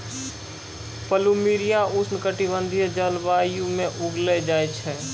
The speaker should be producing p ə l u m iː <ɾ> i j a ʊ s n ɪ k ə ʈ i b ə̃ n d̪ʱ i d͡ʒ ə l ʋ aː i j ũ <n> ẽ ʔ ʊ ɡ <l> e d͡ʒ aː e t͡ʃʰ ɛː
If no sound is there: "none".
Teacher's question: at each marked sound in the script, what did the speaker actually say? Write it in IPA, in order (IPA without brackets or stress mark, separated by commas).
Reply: ɾ, m, l